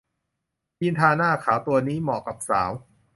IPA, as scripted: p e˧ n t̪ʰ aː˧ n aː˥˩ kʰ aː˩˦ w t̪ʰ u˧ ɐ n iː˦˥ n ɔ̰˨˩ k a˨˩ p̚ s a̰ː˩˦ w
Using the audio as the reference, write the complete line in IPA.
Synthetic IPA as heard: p i˧ n t̪ʰ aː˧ n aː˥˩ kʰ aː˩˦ w t̪ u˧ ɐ n iː˦˥ m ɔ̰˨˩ k a˨˩ p̚ s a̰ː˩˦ w